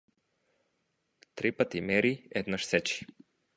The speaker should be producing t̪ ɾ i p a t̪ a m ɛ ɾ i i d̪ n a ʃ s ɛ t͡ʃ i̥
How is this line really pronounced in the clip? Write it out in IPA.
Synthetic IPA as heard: t̪ ɾ i p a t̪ i m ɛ ɾ i ɛ d̪ n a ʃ s ɛ t͡ʃ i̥

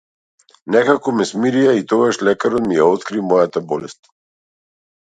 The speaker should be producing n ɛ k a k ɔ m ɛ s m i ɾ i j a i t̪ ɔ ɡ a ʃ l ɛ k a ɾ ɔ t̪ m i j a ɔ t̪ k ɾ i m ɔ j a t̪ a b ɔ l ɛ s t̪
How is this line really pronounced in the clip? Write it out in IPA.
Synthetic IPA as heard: n ɛ k a k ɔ m ɛ s m i ɾ i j a i t̪ ɔ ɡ a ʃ l ɛ k a ɾ ɔ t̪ m i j a ɔ t̪ k ɾ i m ɔ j a t̪ a b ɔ l ɛ s t̪

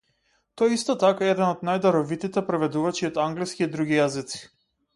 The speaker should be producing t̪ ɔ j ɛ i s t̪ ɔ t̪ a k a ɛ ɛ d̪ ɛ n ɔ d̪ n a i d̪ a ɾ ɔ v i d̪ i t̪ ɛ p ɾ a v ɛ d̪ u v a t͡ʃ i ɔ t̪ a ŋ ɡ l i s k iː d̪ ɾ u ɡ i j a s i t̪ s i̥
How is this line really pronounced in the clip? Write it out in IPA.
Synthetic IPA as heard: t̪ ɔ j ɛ i s t̪ ɔ t̪ a k a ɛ ɛ d̪ ɛ n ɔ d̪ n a j d̪ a ɾ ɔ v i t̪ i t̪ ɛ p ɾ ɛ v ɛ d̪ u v a t͡ʃ i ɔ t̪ a ŋ ɡ l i s k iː d̪ ɾ u ɡ i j a z i t̪ s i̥

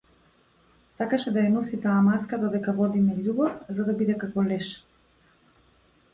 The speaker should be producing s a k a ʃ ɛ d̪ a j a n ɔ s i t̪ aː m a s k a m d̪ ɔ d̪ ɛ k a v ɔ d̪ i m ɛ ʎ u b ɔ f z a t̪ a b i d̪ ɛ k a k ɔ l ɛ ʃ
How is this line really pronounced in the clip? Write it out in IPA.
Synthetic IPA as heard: s a k a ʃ ɛ d̪ a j a n ɔ s i t̪ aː m a s k a d̪ ɔ d̪ ɛ k a v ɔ d̪ i m ɛ ʎ u b ɔ f z a d̪ a b i d̪ ɛ k a k ɔ l ɛ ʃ

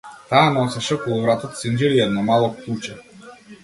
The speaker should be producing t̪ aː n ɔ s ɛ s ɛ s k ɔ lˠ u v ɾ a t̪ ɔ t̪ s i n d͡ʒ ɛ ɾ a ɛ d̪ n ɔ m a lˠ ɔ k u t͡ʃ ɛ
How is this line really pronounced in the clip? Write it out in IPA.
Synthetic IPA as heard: t̪ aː n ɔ s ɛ ʃ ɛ k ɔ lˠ u v ɾ a t̪ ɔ t̪ s i n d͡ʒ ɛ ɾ i ɛ d̪ n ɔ m a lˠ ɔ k u t͡ʃ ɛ

